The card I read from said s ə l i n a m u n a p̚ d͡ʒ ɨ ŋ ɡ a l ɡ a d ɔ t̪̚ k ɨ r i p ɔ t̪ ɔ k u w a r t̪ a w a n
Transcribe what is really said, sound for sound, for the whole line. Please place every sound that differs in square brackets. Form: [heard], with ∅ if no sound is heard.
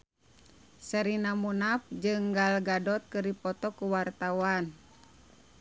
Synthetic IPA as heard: s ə [ɾ] i n a m u n a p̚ d͡ʒ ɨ ŋ ɡ a l ɡ a d ɔ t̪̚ k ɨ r i p ɔ t̪ ɔ k u w a r t̪ a w a n